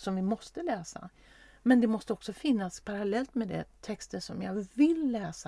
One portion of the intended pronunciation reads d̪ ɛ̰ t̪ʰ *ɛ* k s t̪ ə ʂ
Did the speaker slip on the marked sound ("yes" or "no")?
no